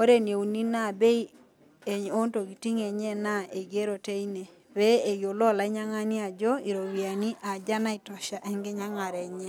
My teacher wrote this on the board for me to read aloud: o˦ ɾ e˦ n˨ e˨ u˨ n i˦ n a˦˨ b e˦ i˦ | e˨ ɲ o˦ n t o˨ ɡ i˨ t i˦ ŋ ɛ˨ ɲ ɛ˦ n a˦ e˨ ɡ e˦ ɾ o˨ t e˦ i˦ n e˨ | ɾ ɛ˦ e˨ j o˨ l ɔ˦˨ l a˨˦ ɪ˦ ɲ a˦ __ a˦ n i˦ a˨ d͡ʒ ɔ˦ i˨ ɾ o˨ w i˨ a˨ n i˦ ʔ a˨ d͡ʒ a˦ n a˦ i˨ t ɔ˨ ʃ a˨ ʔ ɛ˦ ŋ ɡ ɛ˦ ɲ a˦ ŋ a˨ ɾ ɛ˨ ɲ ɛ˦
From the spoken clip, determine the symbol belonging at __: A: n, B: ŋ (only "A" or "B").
B